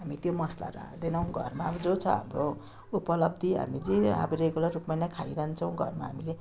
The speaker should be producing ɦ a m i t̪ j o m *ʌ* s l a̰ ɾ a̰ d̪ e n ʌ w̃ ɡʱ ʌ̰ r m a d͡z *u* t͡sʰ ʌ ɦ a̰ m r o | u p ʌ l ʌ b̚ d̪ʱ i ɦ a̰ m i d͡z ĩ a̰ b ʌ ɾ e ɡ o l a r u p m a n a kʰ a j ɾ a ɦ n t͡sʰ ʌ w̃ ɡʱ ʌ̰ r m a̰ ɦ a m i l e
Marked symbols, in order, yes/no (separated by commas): yes, no